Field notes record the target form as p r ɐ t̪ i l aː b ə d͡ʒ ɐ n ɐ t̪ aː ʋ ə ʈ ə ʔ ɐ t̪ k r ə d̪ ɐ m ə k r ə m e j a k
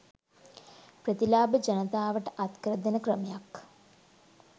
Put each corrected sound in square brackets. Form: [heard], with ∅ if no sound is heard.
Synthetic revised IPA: p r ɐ t̪ i l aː b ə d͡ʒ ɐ n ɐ t̪ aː ʋ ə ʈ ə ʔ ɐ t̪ k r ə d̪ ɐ [n] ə k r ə m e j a k